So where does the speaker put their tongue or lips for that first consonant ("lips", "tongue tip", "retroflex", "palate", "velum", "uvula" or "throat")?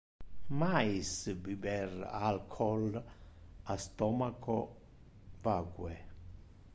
lips